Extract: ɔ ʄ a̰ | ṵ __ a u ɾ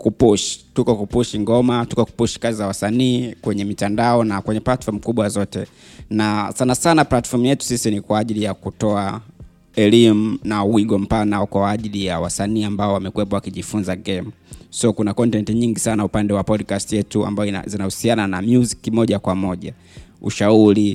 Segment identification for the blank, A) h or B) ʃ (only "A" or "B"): B